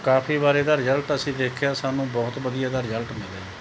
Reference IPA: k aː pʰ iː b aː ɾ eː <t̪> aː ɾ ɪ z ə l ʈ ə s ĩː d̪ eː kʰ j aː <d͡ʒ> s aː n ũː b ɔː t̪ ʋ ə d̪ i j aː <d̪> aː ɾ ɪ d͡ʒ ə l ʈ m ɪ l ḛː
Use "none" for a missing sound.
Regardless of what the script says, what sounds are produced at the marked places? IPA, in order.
d̪, none, d̪

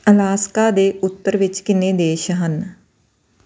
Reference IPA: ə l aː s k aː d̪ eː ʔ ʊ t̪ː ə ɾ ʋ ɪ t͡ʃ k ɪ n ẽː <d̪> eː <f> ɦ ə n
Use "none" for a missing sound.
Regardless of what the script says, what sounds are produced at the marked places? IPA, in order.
d̪, ʃ

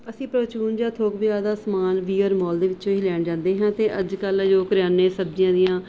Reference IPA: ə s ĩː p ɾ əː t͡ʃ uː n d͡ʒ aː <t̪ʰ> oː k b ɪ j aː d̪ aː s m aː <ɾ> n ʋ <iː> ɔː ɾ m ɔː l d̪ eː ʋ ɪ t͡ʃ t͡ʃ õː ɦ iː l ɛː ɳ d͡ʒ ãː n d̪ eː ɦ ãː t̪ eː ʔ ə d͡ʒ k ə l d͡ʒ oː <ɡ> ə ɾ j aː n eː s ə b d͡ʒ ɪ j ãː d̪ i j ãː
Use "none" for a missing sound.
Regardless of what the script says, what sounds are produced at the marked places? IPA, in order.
t̪ʰ, none, iː, k

